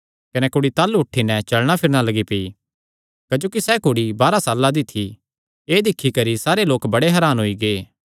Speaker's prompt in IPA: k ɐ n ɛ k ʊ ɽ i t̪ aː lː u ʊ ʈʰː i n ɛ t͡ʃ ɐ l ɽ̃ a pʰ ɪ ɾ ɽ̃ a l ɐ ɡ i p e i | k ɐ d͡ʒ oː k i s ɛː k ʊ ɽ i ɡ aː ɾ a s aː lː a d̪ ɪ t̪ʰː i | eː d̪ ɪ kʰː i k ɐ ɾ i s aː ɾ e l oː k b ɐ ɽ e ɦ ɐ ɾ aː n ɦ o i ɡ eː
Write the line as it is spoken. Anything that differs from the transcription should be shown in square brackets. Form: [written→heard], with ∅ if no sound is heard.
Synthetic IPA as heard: k ɐ n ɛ k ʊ ɽ i t̪ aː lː u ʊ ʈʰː i n ɛ t͡ʃ ɐ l ɽ̃ a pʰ ɪ ɾ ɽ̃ a l ɐ ɡ i p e i | k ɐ d͡ʒ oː k i s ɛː k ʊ ɽ i [ɡ→b] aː ɾ a s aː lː a d̪ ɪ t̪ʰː i | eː d̪ ɪ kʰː i k ɐ ɾ i s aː ɾ e l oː k b ɐ ɽ e ɦ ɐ ɾ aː n ɦ o i ɡ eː